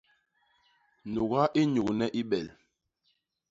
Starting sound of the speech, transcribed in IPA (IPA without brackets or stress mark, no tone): n